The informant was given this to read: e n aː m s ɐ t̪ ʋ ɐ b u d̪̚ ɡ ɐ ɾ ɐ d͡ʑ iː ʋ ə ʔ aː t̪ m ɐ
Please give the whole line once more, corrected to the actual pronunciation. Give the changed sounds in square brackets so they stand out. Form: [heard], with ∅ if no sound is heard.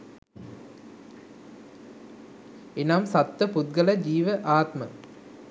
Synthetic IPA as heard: e n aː m s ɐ t̪ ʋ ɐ [p] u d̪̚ ɡ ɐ [l] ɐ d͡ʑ iː ʋ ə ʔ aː t̪ m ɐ